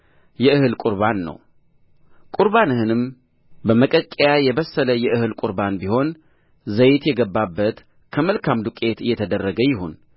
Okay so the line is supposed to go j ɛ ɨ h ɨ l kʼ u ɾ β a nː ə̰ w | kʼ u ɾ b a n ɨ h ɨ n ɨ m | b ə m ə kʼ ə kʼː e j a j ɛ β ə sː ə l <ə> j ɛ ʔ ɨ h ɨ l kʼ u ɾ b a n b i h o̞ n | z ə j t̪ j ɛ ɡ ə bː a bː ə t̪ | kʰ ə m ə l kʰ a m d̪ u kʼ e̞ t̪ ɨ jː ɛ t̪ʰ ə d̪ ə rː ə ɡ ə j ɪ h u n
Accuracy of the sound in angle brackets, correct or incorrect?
correct